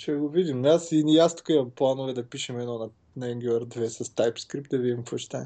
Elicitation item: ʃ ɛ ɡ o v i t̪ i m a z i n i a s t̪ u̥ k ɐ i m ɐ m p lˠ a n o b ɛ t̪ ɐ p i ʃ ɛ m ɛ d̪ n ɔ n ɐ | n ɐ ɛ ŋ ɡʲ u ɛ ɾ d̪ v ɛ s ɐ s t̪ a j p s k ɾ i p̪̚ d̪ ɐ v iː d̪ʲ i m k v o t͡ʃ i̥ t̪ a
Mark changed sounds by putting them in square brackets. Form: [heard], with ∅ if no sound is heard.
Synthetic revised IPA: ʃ ɛ ɡ o v i [d̪] i m a [s] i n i a s t̪ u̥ k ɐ i m ɐ m p lˠ a n o [v] ɛ [d̪] ɐ p i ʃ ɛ m ɛ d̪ n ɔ n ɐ | n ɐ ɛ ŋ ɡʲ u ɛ ɾ d̪ v ɛ s ɐ s t̪ a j p s k ɾ i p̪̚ d̪ ɐ v [i] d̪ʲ i m k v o t͡ʃ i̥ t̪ a